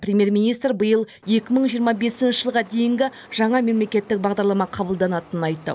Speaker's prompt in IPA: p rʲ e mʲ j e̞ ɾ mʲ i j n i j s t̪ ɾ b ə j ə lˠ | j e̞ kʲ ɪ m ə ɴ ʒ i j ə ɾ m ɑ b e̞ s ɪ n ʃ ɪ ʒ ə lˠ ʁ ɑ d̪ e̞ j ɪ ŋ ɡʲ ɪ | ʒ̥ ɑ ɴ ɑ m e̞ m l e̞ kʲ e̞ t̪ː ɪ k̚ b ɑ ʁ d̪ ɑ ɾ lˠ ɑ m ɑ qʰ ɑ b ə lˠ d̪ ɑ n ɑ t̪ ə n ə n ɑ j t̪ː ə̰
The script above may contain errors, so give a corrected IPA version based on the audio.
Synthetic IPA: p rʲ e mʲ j e̞ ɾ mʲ i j n i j s t̪ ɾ b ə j ə lˠ | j e̞ kʲ ɪ m ə ɴ ʒ i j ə ɾ m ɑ b e̞ s ɪ n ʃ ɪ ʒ ə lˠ ʁ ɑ d̪ e̞ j ɪ ŋ ɡʲ ɪ | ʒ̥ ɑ ɴ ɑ m e̞ m l e̞ kʲ e̞ t̪ː ɪ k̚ b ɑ ʁ d̪ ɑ ɾ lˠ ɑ m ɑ qʰ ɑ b ə lˠ d̪ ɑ n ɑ t̪ ə n ə n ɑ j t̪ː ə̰